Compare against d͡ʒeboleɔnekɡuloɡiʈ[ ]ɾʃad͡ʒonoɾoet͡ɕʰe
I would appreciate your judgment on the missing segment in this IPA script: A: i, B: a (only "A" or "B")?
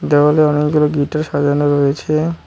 B